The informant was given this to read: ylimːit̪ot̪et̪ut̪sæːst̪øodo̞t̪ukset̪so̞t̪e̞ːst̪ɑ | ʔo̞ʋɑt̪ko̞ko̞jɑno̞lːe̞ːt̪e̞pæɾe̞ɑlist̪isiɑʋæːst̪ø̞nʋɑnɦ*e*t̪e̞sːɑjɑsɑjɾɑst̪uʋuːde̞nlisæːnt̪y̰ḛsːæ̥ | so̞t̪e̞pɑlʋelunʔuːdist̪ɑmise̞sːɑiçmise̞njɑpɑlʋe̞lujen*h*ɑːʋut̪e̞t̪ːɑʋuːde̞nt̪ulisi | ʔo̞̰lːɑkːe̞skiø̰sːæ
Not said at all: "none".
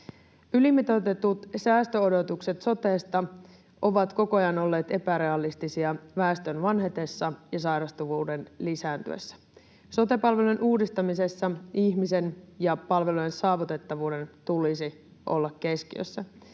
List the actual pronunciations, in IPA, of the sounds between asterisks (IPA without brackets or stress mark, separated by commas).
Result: e, s